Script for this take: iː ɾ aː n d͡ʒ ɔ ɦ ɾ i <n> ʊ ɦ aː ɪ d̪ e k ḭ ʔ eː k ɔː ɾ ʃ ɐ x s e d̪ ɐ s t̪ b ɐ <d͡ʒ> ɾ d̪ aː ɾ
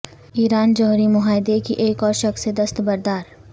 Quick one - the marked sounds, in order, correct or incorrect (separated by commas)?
incorrect, incorrect